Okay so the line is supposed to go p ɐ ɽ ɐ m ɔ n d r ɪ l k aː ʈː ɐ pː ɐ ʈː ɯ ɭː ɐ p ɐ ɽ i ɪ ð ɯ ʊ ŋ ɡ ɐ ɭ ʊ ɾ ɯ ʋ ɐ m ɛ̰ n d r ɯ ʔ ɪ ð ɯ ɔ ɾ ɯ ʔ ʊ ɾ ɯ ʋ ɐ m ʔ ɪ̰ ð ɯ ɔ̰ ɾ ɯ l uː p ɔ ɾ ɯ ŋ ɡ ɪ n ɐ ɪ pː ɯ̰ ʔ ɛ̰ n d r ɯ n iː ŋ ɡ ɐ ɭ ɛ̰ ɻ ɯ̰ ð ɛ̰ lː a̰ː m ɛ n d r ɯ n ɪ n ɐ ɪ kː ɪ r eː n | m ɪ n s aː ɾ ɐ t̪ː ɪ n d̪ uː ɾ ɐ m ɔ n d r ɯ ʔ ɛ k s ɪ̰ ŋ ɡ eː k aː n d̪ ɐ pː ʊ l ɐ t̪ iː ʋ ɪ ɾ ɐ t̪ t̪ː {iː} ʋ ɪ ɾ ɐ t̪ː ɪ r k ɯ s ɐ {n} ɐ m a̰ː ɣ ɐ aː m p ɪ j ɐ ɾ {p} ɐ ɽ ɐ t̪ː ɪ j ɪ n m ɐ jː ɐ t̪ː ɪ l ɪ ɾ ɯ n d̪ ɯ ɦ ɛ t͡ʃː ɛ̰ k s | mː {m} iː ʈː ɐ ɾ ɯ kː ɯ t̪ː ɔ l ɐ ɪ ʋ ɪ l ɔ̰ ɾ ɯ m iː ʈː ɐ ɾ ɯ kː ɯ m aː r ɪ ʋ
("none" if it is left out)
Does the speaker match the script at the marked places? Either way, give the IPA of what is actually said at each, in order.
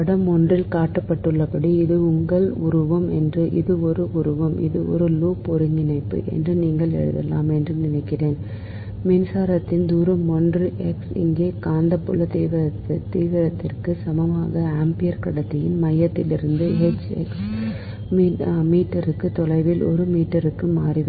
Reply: iː, m, k, m

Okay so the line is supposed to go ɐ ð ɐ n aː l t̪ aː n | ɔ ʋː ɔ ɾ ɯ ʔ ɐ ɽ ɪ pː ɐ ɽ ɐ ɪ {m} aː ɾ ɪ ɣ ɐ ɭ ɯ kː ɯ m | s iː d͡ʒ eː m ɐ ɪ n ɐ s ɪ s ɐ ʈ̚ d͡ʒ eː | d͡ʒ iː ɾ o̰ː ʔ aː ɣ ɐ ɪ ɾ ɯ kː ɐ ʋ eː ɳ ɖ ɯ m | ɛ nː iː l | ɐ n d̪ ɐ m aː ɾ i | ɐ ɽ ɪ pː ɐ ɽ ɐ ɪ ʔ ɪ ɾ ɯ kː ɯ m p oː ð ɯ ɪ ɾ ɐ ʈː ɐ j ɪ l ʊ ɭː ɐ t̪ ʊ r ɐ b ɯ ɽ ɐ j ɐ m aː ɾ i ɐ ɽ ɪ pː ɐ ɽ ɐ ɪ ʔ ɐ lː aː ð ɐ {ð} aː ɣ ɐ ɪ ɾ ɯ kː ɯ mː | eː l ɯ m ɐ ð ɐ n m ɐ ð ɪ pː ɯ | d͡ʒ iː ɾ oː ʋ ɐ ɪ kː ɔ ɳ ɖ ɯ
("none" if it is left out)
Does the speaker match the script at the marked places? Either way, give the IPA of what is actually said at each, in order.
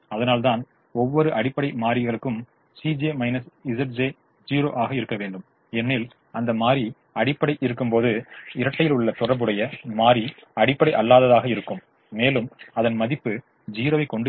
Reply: m, ð

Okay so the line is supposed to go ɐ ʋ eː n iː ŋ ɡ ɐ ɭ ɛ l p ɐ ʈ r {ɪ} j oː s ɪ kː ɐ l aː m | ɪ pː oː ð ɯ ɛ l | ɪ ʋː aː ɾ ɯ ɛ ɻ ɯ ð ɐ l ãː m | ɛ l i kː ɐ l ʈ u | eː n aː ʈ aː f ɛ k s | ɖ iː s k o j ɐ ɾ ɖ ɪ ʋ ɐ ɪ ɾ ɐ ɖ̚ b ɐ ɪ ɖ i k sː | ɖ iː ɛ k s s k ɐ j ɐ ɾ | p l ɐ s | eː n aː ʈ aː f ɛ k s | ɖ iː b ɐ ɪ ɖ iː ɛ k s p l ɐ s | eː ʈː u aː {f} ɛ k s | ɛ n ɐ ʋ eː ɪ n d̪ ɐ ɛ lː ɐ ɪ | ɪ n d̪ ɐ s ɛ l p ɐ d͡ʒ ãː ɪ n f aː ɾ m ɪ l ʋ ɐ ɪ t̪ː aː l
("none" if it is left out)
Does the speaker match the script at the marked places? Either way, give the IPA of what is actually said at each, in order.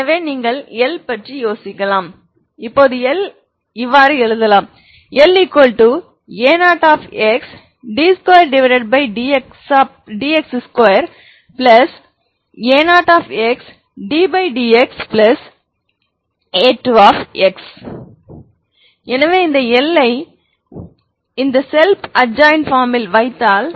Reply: i, f

